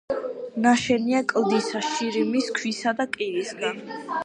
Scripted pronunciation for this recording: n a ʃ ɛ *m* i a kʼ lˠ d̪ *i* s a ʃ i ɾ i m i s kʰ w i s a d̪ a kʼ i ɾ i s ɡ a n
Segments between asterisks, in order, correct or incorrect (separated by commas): incorrect, correct